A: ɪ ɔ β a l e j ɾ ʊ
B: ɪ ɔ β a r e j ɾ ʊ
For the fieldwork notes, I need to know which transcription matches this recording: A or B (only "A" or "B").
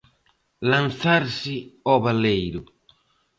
A